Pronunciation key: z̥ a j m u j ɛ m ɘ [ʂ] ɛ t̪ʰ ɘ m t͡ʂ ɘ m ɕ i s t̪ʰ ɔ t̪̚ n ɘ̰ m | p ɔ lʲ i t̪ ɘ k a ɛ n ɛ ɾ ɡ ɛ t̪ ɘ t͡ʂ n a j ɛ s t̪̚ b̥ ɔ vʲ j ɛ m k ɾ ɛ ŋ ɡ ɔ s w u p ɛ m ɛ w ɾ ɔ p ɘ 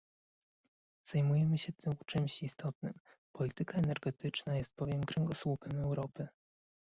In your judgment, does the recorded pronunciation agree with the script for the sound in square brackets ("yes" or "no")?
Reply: no